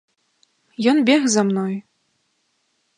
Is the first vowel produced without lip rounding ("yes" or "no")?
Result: no